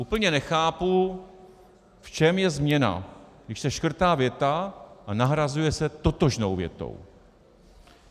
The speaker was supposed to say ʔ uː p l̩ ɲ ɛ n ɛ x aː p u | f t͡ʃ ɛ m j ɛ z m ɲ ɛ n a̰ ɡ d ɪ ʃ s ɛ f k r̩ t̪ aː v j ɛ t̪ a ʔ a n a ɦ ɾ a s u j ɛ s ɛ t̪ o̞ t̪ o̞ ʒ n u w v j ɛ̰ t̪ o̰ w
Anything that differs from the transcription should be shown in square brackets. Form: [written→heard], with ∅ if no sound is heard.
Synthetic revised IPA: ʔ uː p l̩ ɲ ɛ n ɛ x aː p u | f t͡ʃ ɛ m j ɛ z m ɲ ɛ n a̰ ɡ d ɪ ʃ s ɛ [f→ʃ] k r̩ t̪ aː v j ɛ t̪ a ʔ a n a ɦ ɾ a [s→z] u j ɛ s ɛ t̪ o̞ t̪ o̞ ʒ n [u→o] w v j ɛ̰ t̪ o̰ w